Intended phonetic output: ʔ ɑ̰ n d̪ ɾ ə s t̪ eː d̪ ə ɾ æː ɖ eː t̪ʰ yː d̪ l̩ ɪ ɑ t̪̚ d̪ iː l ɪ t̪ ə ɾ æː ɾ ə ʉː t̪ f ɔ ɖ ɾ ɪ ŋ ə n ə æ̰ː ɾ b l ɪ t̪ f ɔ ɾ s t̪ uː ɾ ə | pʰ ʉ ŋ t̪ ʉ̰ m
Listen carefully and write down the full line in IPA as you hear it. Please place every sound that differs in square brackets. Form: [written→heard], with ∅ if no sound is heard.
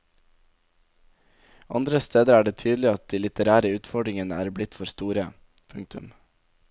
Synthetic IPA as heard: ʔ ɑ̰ n d̪ ɾ ə s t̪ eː d̪ ə ɾ æː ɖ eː t̪ʰ yː d̪ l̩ ɪ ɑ t̪̚ d̪ iː l ɪ t̪ ə ɾ æː ɾ ə ʉː t̪ f ɔ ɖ ɾ ɪ ŋ ə n ə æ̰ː ɾ b l ɪ t̪ f ɔ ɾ s t̪ uː ɾ ə | pʰ ʉ ŋ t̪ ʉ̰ m

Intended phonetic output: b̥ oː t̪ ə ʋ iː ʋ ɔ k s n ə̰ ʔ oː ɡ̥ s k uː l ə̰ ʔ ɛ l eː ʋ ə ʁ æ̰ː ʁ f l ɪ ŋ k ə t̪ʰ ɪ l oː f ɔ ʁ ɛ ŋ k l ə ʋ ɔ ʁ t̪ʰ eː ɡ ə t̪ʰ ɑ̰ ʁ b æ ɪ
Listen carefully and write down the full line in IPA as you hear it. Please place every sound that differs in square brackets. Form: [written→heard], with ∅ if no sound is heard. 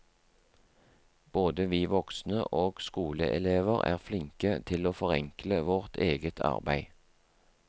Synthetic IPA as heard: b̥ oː [t̪→d̪] ə ʋ iː ʋ ɔ k s n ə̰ ʔ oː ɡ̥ s k uː l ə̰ ʔ ɛ l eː ʋ ə ʁ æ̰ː ʁ f l ɪ ŋ k ə t̪ʰ ɪ l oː f ɔ ʁ ɛ ŋ k l ə ʋ ɔ ʁ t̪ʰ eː ɡ ə t̪ʰ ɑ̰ ʁ b æ ɪ

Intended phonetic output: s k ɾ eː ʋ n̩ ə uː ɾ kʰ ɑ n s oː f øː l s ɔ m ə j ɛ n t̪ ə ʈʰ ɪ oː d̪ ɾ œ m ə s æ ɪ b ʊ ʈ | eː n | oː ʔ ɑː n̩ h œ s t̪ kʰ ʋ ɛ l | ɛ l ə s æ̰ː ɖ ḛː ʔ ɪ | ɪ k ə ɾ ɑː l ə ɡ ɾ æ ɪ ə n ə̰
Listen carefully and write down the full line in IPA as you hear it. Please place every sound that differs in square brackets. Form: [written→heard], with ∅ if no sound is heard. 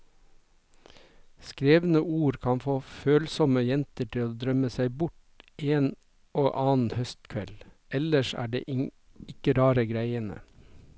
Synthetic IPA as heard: s k ɾ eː ʋ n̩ ə uː ɾ kʰ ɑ n [s→f] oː f øː l s ɔ m ə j ɛ n t̪ ə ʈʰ ɪ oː d̪ ɾ œ m ə s æ ɪ b ʊ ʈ | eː n | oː ʔ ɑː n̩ h œ s t̪ kʰ ʋ ɛ l | ɛ l ə [s→ʃ] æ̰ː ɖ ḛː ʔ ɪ | ɪ k ə ɾ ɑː [l→ɾ] ə ɡ ɾ æ ɪ ə n ə̰

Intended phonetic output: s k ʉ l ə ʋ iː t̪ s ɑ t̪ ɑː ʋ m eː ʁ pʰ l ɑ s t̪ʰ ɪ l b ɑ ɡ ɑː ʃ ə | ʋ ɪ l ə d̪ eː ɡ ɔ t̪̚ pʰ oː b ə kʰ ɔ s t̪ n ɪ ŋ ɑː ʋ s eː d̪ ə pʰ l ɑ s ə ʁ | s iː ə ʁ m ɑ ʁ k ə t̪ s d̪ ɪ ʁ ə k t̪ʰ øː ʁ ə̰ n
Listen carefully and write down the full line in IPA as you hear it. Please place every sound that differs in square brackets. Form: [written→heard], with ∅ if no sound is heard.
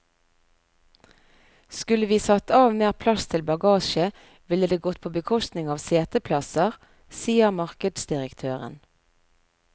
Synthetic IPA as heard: s k ʉ l ə ʋ iː [t̪→∅] s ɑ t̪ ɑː ʋ m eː ʁ pʰ l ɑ s t̪ʰ ɪ l b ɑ ɡ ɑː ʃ ə | ʋ ɪ l ə d̪ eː ɡ ɔ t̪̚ pʰ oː b ə kʰ ɔ s t̪ n ɪ ŋ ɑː ʋ s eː [d̪→t̪] ə pʰ l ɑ s ə ʁ | s iː ə ʁ m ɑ ʁ k ə [t̪→d̪] s d̪ ɪ ʁ ə k t̪ʰ øː ʁ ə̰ n

